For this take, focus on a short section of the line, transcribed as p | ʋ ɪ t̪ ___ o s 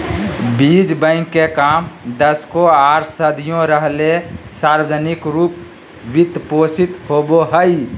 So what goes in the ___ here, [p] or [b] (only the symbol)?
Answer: p